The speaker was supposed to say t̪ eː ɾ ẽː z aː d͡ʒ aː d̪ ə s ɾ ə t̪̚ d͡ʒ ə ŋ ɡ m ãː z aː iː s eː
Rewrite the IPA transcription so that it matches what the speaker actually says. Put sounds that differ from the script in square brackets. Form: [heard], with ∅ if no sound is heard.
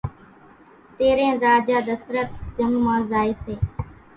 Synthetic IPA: t̪ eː ɾ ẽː z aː d͡ʒ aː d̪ ə s ɾ ə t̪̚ d͡ʒ ə ŋ ɡ m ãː z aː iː s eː